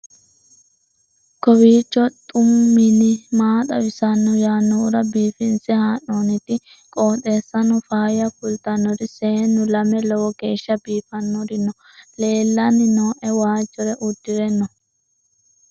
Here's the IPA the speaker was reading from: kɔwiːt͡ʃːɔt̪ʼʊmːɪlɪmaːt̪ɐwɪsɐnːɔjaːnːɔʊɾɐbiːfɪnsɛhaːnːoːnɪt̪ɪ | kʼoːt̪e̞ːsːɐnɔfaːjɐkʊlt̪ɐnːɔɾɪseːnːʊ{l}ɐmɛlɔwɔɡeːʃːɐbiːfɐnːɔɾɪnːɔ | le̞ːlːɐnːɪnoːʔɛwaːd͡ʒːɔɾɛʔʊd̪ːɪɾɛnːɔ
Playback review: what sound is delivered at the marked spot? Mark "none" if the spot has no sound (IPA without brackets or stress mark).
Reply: l